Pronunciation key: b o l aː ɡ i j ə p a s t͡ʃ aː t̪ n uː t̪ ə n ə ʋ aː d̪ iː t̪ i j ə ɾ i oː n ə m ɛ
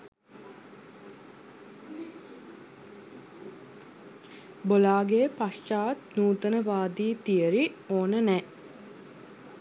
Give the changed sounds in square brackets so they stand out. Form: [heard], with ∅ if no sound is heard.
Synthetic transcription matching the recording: b o l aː ɡ [e] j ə p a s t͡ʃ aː t̪ n uː t̪ ə n ə ʋ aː d̪ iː t̪ i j ə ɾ i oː n ə [n] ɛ